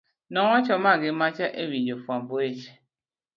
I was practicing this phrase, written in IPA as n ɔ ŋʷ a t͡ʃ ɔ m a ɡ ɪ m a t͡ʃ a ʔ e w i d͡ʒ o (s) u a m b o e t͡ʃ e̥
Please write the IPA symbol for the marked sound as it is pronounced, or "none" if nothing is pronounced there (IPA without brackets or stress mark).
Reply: f